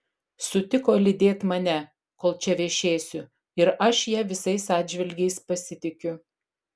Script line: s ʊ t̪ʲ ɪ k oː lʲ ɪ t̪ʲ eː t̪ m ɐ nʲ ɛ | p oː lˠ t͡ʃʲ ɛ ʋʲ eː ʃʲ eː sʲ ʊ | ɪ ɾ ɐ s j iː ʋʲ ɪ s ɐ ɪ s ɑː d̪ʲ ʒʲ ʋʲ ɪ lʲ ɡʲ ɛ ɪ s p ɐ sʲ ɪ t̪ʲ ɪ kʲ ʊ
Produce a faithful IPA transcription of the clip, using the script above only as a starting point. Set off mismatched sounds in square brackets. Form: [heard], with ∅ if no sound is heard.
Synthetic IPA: s ʊ t̪ʲ ɪ k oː lʲ ɪ [d̪ʲ] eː t̪ m ɐ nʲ ɛ | [k] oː lˠ t͡ʃʲ ɛ ʋʲ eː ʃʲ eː sʲ ʊ | ɪ ɾ ɐ [ʃ] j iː ʋʲ ɪ s ɐ ɪ s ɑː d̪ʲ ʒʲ ʋʲ ɪ lʲ ɡʲ ɛ ɪ s p ɐ sʲ ɪ t̪ʲ ɪ kʲ ʊ

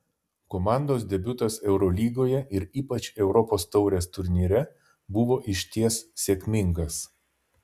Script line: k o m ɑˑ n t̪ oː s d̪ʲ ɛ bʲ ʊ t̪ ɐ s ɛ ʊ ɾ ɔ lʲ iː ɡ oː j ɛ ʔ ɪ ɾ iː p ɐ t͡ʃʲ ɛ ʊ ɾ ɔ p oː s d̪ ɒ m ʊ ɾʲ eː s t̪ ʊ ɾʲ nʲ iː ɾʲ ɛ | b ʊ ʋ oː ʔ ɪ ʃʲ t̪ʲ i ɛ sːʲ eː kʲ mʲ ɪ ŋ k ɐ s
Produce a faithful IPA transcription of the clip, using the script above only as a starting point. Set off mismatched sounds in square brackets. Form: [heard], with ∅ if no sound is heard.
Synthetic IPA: k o m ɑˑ n [d̪] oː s d̪ʲ ɛ bʲ ʊ t̪ ɐ s ɛ ʊ ɾ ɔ lʲ iː ɡ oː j ɛ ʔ ɪ ɾ iː p ɐ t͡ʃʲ ɛ ʊ ɾ ɔ p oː s [t̪] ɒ [∅] ʊ ɾʲ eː s t̪ ʊ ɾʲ nʲ iː ɾʲ ɛ | b ʊ ʋ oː ʔ ɪ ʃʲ t̪ʲ i ɛ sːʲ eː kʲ mʲ ɪ ŋ [ɡ] ɐ s

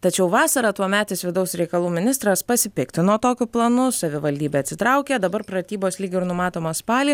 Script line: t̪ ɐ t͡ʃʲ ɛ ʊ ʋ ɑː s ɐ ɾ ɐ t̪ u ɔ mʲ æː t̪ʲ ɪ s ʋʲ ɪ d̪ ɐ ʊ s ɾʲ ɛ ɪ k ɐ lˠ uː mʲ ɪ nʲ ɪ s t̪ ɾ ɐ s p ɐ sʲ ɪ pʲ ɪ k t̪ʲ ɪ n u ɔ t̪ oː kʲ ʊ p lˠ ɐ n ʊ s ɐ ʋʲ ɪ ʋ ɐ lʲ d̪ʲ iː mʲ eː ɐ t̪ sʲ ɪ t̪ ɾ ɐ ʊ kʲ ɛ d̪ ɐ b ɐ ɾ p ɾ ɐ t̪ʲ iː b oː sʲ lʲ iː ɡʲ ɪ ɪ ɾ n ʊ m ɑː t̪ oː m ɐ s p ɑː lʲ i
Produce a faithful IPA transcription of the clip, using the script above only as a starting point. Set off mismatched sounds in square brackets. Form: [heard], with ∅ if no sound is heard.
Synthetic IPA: t̪ ɐ t͡ʃʲ ɛ ʊ ʋ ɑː s ɐ ɾ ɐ t̪ u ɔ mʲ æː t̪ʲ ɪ s ʋʲ ɪ d̪ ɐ ʊ s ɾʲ ɛ ɪ k ɐ lˠ uː mʲ ɪ nʲ ɪ s t̪ ɾ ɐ s p ɐ sʲ ɪ pʲ ɪ k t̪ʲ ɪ n u ɔ t̪ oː kʲ ʊ p lˠ ɐ n ʊ s ɐ ʋʲ ɪ ʋ ɐ lʲ d̪ʲ iː [bʲ] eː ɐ t̪ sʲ ɪ t̪ ɾ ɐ ʊ kʲ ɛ d̪ ɐ b ɐ ɾ p ɾ ɐ t̪ʲ iː b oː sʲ lʲ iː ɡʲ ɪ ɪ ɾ n ʊ m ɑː t̪ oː m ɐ s p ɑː lʲ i

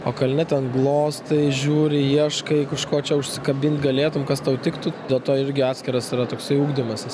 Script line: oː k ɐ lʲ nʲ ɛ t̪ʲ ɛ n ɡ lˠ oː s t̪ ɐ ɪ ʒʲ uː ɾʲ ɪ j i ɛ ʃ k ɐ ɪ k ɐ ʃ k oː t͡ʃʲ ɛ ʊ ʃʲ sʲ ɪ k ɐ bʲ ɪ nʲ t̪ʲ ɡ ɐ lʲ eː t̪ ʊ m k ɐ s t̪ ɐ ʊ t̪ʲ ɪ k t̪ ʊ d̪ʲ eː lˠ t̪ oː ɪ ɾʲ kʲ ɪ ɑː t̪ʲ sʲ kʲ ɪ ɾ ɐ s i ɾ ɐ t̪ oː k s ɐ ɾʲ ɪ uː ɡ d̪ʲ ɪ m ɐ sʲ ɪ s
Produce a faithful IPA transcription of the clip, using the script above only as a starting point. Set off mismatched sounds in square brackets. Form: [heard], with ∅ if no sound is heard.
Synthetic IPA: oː k ɐ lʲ nʲ ɛ t̪ʲ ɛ n ɡ lˠ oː s t̪ ɐ ɪ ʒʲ uː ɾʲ ɪ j i ɛ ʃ k ɐ ɪ k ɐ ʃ k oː t͡ʃʲ ɛ ʊ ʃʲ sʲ ɪ k ɐ bʲ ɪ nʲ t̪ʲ ɡ ɐ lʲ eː t̪ ʊ m k ɐ s t̪ ɐ ʊ t̪ʲ ɪ k t̪ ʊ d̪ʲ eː lˠ t̪ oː ɪ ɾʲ [ɡʲ] ɪ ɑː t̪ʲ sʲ kʲ ɪ ɾ ɐ s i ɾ ɐ t̪ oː k s ɐ [∅] ɪ uː ɡ d̪ʲ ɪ m ɐ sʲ ɪ s

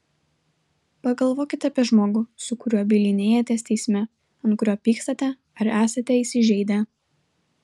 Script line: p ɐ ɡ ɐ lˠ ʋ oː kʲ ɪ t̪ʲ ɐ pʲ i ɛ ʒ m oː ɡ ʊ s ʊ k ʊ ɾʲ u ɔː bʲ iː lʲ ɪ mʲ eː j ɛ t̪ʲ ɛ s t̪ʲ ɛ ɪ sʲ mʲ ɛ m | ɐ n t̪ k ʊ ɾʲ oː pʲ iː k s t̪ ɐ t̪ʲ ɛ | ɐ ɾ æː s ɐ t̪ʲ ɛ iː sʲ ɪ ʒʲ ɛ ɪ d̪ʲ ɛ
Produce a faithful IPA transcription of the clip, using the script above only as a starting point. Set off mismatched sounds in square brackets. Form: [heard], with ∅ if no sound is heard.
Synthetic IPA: p ɐ ɡ ɐ lˠ ʋ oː kʲ ɪ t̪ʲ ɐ pʲ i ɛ ʒ m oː ɡ ʊ s ʊ k ʊ ɾʲ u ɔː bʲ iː lʲ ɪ [nʲ] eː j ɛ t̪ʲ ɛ s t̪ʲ ɛ ɪ sʲ mʲ ɛ [∅] | ɐ n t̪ k ʊ ɾʲ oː pʲ iː k s t̪ ɐ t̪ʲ ɛ | ɐ ɾ æː s ɐ t̪ʲ ɛ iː sʲ ɪ ʒʲ ɛ ɪ d̪ʲ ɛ

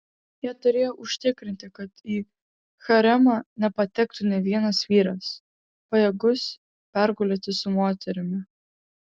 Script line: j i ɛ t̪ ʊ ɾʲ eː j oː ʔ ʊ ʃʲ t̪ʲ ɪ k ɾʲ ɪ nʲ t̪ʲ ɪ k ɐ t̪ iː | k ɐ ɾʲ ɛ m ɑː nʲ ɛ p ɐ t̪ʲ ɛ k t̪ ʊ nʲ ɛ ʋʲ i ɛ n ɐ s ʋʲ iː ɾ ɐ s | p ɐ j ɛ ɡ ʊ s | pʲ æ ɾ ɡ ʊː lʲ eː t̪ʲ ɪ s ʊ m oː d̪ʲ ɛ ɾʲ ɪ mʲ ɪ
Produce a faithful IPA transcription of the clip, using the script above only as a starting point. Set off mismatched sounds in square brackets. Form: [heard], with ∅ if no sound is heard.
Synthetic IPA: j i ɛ t̪ ʊ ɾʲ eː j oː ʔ ʊ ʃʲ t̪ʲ ɪ k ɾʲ ɪ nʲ t̪ʲ ɪ k ɐ t̪ iː | [x] ɐ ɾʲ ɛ m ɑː nʲ ɛ p ɐ t̪ʲ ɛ k t̪ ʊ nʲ ɛ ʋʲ i ɛ n ɐ s ʋʲ iː ɾ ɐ s | p ɐ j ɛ ɡ ʊ s | pʲ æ ɾ ɡ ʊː lʲ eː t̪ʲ ɪ s ʊ m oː [t̪ʲ] ɛ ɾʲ ɪ mʲ ɪ

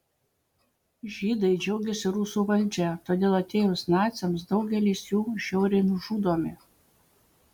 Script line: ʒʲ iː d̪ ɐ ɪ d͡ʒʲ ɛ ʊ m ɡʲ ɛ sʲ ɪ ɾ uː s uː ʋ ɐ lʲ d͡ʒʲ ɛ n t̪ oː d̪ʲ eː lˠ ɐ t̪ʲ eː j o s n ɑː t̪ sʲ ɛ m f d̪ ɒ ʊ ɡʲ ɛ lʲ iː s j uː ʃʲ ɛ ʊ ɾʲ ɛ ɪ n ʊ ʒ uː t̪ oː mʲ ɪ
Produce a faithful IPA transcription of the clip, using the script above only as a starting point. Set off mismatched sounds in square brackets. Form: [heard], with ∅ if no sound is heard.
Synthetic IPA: ʒʲ iː d̪ ɐ ɪ d͡ʒʲ ɛ ʊ [∅] ɡʲ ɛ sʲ ɪ ɾ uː s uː ʋ ɐ lʲ d͡ʒʲ ɛ [∅] t̪ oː d̪ʲ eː lˠ ɐ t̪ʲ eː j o s n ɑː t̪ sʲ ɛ m [s] d̪ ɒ ʊ ɡʲ ɛ lʲ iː s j uː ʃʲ ɛ ʊ ɾʲ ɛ ɪ n ʊ ʒ uː [d̪] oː mʲ ɪ

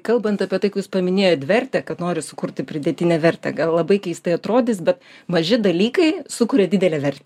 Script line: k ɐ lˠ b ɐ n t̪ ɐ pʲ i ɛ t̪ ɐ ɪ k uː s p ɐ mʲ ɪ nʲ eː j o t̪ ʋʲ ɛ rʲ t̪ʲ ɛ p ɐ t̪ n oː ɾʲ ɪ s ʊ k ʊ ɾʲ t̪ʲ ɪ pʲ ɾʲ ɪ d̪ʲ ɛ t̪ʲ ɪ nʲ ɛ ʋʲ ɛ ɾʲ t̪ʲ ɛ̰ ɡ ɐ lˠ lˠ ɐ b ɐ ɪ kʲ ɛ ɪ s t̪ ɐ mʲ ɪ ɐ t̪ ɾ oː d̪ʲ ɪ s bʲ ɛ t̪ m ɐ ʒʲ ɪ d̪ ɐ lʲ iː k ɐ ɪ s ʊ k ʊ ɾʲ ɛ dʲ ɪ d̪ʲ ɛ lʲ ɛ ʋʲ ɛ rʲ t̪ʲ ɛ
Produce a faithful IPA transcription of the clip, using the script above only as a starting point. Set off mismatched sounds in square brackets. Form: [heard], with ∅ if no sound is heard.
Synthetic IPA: k ɐ lˠ b ɐ n t̪ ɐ pʲ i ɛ t̪ ɐ ɪ k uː s p ɐ mʲ ɪ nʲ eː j o t̪ ʋʲ ɛ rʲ t̪ʲ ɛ [k] ɐ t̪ n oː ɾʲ ɪ s ʊ k ʊ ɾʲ t̪ʲ ɪ pʲ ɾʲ ɪ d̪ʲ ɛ t̪ʲ ɪ nʲ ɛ ʋʲ ɛ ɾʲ t̪ʲ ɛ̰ ɡ ɐ lˠ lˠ ɐ b ɐ ɪ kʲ ɛ ɪ s t̪ ɐ [∅] ɪ ɐ t̪ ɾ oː d̪ʲ ɪ s bʲ ɛ t̪ m ɐ ʒʲ ɪ d̪ ɐ lʲ iː k ɐ ɪ s ʊ k ʊ ɾʲ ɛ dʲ ɪ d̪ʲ ɛ lʲ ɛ ʋʲ ɛ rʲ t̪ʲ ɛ

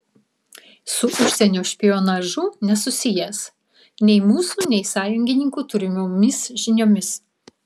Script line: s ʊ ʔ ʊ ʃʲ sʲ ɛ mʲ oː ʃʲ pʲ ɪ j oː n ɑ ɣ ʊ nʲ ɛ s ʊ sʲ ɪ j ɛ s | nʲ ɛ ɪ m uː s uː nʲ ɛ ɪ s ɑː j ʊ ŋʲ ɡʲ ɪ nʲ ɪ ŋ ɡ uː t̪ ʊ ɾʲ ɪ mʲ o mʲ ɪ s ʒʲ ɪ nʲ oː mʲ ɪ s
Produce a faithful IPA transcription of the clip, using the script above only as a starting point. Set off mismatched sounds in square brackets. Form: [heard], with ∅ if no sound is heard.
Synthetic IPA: s ʊ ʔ ʊ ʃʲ sʲ ɛ [nʲ] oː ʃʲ pʲ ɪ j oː n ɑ [ʒ] ʊ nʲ ɛ s ʊ sʲ ɪ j ɛ s | nʲ ɛ ɪ m uː s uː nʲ ɛ ɪ s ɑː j ʊ ŋʲ ɡʲ ɪ nʲ ɪ ŋ [k] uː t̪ ʊ ɾʲ ɪ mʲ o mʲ ɪ s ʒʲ ɪ nʲ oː mʲ ɪ s

